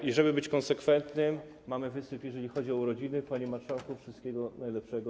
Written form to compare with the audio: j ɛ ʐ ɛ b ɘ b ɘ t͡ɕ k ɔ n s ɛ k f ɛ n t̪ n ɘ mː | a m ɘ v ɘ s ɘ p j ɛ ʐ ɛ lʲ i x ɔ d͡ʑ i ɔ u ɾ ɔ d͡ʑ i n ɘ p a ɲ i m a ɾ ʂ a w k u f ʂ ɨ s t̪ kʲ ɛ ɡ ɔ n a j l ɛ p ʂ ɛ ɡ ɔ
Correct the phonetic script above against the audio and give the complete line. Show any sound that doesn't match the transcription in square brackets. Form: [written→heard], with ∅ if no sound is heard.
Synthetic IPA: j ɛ ʐ ɛ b ɘ b ɘ t͡ɕ k ɔ n s ɛ k f ɛ n t̪ n ɘ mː | a m ɘ v ɘ s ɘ p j ɛ ʐ ɛ lʲ i x ɔ d͡ʑ i ɔ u ɾ ɔ d͡ʑ i n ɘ p a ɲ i m a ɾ ʂ a w k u f ʂ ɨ s t̪ kʲ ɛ ɡ ɔ n a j l ɛ p ʂ ɛ ɡ ɔ